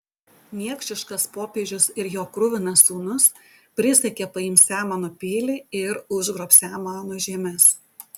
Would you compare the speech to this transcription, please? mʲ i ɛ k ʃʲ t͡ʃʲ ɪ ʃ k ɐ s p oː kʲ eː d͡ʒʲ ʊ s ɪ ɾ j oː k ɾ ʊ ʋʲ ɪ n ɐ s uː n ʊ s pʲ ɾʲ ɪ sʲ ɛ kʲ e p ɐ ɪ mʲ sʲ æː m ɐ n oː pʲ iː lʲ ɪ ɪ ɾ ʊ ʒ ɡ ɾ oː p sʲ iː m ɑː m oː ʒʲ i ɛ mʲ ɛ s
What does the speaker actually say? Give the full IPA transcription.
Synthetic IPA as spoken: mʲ i ɛ k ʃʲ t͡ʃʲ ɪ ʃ k ɐ s p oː pʲ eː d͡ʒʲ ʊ s ɪ ɾ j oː k ɾ ʊ ʋʲ ɪ n ɐ s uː n ʊ s pʲ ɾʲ ɪ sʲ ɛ kʲ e p ɐ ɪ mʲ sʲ æː m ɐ n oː pʲ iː lʲ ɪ ɪ ɾ ʊ ʒ ɡ ɾ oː p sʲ æː m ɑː n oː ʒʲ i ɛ mʲ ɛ s